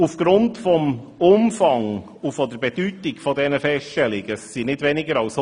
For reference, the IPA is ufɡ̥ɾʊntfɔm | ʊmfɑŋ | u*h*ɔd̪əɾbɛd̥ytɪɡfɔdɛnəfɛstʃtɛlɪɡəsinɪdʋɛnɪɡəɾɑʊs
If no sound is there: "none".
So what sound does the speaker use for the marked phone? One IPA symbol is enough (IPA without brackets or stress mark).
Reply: f